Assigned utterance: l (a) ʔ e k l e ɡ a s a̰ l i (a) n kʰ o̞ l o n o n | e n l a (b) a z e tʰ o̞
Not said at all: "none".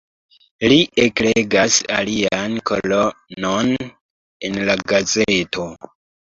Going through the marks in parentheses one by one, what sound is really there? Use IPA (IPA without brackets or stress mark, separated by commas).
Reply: i, a, ɡ